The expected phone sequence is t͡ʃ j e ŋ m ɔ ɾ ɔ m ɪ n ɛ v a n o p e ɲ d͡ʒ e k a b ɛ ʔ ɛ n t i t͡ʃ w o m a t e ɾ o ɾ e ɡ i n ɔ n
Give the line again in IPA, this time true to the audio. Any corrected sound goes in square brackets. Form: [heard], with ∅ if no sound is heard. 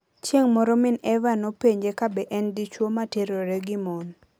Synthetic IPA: t͡ʃ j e ŋ m ɔ ɾ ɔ m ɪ n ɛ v a n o p e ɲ d͡ʒ e k a b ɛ ʔ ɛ n [d] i t͡ʃ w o m a t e ɾ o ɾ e ɡ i [m] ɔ n